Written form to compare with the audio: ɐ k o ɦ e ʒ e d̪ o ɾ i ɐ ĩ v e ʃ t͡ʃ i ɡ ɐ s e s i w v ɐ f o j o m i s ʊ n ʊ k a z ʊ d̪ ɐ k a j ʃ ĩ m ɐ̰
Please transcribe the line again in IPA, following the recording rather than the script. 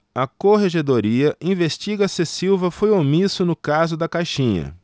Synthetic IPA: ɐ k o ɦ e ʒ e d̪ o ɾ i ɐ ĩ v e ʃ t͡ʃ i ɡ ɐ s e s i w v ɐ f o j o m i s ʊ n ʊ k a z ʊ d̪ ɐ k a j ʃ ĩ ɲ ɐ̰